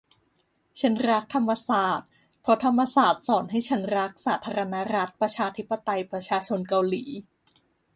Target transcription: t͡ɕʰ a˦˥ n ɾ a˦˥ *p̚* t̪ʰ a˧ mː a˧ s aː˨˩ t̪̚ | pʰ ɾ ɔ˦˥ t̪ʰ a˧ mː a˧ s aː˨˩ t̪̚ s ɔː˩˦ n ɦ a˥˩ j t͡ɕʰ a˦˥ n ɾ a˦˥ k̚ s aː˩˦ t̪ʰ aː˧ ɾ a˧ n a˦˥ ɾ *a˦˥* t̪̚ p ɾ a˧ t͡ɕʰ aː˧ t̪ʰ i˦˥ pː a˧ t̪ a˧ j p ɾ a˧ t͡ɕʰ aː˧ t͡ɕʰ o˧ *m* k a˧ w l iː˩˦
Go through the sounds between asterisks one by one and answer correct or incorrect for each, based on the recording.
incorrect: k̚, correct, incorrect: n

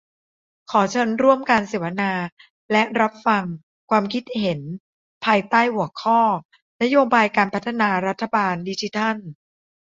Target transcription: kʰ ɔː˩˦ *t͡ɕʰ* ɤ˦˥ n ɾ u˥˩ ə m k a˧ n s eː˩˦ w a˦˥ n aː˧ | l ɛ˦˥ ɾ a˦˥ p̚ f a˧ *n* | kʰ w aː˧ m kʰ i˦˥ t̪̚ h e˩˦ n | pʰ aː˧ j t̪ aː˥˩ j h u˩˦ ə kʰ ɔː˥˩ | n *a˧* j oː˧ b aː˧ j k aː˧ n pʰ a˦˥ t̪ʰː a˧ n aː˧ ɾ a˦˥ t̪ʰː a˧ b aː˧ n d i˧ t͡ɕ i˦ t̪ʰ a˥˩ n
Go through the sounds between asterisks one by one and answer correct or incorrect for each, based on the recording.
correct, incorrect: ŋ, incorrect: a˦˥

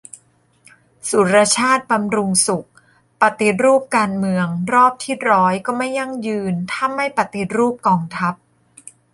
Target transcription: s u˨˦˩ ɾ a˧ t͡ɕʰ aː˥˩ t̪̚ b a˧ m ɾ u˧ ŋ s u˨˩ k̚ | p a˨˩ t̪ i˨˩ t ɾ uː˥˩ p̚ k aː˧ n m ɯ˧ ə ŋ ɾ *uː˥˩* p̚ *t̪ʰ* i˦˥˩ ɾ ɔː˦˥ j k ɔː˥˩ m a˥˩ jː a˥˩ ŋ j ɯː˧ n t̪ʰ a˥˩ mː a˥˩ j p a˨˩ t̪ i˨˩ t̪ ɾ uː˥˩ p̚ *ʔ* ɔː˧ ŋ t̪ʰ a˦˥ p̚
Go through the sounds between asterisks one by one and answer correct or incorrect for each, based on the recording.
incorrect: ɔː˥˩, correct, incorrect: k

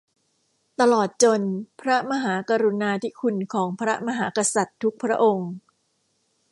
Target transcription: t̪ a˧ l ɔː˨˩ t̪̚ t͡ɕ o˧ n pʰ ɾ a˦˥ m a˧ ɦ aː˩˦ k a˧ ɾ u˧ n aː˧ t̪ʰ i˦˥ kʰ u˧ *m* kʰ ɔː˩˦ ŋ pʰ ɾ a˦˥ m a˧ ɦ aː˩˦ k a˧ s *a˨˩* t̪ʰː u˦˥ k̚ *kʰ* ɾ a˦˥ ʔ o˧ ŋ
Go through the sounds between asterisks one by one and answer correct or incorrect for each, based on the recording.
incorrect: n, correct, incorrect: pʰ

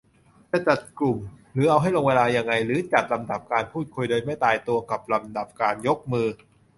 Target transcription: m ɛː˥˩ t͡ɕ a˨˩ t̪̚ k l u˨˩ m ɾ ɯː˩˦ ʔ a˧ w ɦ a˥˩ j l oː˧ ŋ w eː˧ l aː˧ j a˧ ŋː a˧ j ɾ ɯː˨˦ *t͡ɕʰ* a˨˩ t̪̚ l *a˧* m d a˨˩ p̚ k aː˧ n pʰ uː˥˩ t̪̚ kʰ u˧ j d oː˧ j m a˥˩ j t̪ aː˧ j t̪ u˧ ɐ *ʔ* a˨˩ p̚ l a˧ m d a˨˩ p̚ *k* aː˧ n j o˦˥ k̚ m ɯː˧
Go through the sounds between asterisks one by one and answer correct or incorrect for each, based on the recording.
incorrect: t͡ɕ, correct, incorrect: k, correct

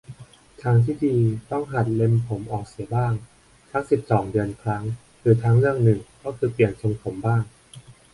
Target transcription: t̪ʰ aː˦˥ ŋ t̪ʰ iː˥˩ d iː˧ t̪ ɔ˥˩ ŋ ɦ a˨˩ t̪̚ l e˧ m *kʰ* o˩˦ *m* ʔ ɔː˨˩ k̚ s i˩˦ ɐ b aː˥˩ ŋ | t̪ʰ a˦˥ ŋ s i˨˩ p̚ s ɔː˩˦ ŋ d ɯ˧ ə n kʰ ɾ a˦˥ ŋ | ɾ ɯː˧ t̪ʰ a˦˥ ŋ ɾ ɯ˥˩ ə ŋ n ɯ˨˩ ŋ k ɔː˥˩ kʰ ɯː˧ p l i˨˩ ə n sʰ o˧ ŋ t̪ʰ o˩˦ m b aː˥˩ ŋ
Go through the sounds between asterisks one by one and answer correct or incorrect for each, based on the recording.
incorrect: pʰ, correct

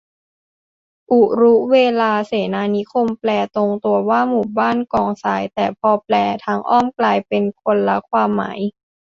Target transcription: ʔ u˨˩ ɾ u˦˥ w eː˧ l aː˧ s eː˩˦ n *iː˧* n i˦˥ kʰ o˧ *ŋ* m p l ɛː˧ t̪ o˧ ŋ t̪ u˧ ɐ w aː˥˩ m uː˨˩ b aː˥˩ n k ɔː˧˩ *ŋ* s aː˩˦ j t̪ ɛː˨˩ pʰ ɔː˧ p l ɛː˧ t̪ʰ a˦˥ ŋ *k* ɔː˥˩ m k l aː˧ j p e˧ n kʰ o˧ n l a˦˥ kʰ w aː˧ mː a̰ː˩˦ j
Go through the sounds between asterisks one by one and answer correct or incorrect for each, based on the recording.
incorrect: aː˧, incorrect: none, correct, incorrect: ʔ

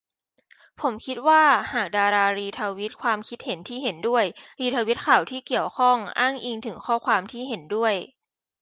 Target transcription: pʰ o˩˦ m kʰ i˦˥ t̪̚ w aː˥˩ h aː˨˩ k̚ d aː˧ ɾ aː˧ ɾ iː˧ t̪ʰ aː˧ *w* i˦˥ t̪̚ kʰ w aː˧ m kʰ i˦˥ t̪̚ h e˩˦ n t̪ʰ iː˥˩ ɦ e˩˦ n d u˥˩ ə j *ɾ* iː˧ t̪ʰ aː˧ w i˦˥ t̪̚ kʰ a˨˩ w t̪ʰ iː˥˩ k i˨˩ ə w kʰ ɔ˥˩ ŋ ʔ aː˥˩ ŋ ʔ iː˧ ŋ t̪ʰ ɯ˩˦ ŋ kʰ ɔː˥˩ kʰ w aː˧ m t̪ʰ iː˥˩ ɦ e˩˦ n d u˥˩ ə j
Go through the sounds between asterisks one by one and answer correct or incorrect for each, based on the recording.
correct, correct

